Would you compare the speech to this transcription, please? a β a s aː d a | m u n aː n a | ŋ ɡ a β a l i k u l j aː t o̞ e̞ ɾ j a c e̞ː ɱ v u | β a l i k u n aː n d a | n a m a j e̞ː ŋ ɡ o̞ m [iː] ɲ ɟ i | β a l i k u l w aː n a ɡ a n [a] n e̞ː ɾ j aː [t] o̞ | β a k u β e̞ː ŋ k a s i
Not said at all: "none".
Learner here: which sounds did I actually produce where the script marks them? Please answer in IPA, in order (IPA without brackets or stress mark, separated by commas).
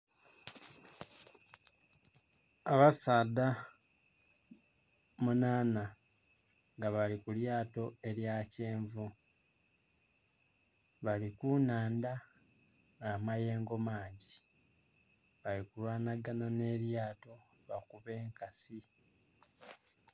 aː, a, t